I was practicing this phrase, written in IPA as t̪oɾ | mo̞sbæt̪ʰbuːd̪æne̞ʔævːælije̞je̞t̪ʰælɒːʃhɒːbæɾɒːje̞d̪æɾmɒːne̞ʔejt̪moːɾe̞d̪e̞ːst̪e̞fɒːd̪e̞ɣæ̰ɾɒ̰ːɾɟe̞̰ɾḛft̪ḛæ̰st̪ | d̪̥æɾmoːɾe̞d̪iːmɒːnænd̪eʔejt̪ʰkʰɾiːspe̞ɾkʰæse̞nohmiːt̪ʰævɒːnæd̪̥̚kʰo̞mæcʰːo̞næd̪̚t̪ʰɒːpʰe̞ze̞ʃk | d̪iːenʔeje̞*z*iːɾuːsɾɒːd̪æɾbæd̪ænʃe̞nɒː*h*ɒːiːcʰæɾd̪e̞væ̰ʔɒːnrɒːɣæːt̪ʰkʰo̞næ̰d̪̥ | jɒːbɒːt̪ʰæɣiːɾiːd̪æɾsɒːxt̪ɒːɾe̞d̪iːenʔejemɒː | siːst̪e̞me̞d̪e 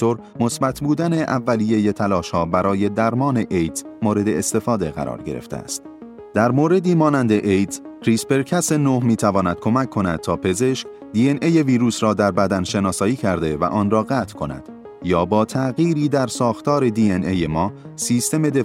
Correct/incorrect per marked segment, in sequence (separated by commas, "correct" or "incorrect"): incorrect, incorrect